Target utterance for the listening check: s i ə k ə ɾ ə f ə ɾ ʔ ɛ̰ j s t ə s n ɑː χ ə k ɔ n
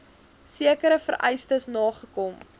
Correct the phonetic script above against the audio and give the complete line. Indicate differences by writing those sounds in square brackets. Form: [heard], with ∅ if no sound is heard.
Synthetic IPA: s i ə k ə ɾ ə f ə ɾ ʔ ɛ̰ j s t ə s n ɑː χ ə k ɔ [m]